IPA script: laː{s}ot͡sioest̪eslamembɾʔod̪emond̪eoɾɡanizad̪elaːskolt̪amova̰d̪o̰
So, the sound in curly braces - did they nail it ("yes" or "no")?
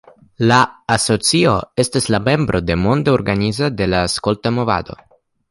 yes